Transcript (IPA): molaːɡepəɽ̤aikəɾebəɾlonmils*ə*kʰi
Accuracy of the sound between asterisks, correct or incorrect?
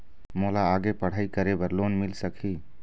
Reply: correct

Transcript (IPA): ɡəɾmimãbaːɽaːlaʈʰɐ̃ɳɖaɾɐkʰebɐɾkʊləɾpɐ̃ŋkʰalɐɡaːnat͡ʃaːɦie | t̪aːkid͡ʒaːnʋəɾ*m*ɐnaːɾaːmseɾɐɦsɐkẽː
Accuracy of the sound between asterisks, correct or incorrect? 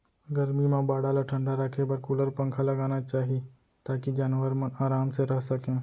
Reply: correct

